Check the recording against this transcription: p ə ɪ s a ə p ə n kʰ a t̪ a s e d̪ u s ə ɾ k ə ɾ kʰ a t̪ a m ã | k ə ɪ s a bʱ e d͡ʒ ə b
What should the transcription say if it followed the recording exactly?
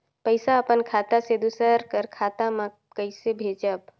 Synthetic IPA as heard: p ə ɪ s a ə p ə n kʰ a t̪ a s e d̪ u s ə ɾ k ə ɾ kʰ a t̪ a m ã | k ə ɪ s e bʱ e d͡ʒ ə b